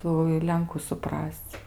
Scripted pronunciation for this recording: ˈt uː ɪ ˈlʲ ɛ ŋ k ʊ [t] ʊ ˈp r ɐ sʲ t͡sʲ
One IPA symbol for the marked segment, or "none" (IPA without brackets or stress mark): s